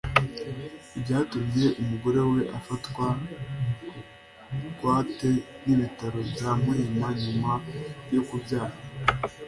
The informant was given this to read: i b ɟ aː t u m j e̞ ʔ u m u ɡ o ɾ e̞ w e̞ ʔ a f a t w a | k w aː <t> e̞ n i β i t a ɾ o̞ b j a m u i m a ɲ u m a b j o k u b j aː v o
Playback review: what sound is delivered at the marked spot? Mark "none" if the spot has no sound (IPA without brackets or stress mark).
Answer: t